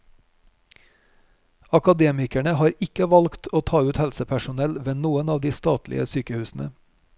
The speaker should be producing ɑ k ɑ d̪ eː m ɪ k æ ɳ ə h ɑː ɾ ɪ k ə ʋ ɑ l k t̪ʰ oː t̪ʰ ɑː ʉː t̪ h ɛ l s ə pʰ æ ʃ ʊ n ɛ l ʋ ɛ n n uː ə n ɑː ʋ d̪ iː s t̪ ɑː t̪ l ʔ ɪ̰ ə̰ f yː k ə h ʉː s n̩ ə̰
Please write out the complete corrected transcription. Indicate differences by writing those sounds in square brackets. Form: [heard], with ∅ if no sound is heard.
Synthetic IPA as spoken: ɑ k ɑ d̪ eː m ɪ k æ ɳ ə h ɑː ɾ ɪ k ə ʋ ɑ l k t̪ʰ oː t̪ʰ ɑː ʉː t̪ h ɛ l s ə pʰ æ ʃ ʊ n ɛ l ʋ ɛ n n uː ə n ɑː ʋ d̪ iː s t̪ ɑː t̪ l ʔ ɪ̰ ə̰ [s] yː k ə h ʉː s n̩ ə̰